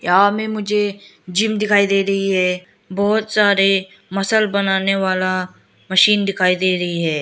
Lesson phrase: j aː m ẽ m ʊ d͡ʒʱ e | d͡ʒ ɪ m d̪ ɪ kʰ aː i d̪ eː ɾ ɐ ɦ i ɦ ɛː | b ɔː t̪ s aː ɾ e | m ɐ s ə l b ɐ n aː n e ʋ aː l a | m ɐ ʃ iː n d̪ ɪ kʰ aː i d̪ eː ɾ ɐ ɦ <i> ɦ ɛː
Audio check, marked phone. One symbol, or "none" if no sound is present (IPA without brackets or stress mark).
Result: i